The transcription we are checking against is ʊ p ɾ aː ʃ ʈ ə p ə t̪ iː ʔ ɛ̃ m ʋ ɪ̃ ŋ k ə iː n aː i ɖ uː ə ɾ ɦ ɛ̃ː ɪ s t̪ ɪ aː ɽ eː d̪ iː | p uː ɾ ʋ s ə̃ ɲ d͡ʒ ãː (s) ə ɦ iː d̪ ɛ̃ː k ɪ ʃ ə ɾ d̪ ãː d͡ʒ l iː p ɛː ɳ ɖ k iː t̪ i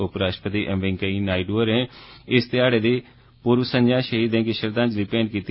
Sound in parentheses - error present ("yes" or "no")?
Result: yes